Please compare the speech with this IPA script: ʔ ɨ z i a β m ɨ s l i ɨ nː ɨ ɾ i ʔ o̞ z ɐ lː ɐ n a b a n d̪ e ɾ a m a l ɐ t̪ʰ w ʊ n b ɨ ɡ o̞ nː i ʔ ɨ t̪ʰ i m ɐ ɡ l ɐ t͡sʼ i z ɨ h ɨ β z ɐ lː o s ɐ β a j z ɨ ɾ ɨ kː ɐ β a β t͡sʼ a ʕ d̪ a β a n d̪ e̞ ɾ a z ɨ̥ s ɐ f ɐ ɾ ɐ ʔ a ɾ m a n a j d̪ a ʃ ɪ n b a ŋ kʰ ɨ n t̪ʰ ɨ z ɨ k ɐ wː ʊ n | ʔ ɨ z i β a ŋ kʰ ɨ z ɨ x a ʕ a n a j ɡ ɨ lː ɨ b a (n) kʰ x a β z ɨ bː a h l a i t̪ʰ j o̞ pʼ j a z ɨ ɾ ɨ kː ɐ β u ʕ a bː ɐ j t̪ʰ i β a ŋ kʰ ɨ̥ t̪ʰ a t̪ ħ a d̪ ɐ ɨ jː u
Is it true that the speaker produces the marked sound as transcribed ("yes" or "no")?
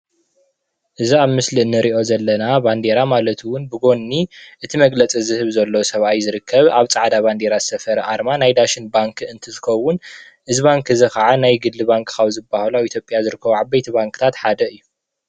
no